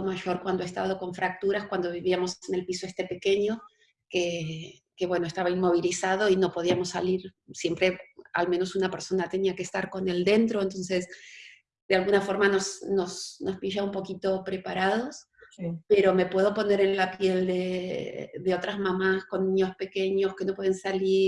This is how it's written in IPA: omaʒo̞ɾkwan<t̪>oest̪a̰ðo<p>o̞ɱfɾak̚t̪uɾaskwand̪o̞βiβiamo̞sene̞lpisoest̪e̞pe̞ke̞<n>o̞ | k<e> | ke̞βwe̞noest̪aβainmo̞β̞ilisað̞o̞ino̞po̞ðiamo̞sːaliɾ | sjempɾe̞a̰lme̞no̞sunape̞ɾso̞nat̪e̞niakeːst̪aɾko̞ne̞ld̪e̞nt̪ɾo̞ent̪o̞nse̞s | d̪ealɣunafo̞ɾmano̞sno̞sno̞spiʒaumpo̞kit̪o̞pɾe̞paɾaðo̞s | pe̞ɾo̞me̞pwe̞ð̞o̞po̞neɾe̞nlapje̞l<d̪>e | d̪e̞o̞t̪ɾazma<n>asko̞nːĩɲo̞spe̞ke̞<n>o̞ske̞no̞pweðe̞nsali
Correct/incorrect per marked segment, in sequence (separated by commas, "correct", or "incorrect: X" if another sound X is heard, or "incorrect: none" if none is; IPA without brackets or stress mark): incorrect: d̪, incorrect: k, incorrect: ɲ, correct, correct, incorrect: m, incorrect: ɲ